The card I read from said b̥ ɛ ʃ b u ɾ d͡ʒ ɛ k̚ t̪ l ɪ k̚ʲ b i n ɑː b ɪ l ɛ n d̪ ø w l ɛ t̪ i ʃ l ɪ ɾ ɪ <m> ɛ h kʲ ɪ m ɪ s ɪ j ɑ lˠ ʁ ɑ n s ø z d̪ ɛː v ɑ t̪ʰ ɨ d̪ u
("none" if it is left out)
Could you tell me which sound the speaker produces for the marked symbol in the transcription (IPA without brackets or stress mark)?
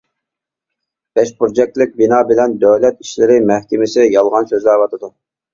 m